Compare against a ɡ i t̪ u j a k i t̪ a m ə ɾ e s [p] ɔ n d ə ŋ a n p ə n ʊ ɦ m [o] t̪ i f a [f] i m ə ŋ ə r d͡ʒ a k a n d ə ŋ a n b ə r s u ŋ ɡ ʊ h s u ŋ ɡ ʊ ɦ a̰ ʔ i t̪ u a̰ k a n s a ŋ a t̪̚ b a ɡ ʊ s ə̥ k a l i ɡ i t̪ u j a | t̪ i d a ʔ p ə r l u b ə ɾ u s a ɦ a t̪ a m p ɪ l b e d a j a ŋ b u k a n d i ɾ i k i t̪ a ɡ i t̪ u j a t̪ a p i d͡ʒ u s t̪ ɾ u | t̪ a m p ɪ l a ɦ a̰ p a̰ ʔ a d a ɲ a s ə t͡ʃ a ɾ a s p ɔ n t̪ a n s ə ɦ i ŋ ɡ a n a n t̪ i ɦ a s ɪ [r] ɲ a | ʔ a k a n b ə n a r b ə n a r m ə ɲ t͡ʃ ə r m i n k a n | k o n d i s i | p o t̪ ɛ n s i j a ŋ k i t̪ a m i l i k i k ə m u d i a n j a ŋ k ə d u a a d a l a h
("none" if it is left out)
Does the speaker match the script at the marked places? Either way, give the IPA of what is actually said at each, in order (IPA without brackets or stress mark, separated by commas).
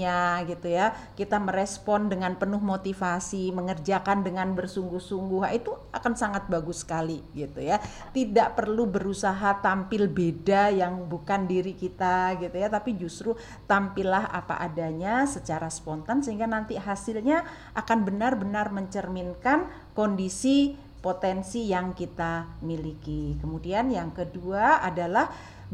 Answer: p, o, s, l